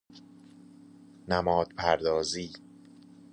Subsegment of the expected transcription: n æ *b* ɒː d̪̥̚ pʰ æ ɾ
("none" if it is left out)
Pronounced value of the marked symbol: m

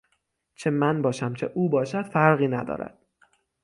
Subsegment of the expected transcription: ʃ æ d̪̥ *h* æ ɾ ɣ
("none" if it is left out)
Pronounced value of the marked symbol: f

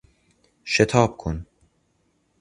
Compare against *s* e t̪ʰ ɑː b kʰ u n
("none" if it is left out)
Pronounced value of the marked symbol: ʃ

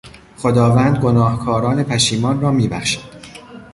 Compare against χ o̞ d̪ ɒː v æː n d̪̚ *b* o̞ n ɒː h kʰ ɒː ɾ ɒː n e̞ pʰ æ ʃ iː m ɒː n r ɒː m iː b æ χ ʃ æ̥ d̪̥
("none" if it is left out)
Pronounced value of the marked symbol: ɡ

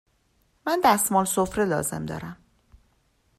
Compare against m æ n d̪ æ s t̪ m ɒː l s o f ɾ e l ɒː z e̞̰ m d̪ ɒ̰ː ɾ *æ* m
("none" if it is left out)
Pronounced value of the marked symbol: æ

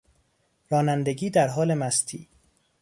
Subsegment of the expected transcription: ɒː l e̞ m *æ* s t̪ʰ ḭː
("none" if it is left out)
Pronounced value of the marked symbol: æ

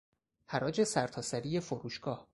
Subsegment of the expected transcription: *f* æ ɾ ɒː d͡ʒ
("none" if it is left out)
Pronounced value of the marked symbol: h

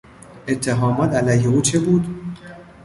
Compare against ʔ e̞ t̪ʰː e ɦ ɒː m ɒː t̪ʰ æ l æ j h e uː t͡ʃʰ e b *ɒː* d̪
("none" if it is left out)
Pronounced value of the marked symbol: uː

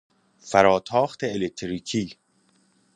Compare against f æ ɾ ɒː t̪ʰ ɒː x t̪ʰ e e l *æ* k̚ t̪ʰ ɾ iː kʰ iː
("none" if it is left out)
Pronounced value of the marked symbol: e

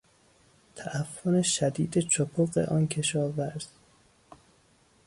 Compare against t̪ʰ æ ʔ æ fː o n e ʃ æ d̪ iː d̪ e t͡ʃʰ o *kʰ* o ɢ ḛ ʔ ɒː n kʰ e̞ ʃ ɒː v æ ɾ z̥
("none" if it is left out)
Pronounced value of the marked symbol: pʰ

